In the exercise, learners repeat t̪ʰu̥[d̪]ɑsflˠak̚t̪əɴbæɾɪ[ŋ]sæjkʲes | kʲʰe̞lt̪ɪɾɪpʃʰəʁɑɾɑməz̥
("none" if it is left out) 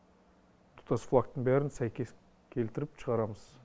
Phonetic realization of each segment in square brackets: t̪, n

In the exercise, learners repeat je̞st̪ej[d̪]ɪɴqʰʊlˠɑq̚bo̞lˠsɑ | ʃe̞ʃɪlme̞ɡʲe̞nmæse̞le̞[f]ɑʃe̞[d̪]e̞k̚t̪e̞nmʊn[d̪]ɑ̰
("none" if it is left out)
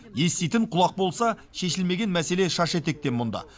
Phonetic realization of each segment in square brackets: t̪, ʃ, t̪, d̪

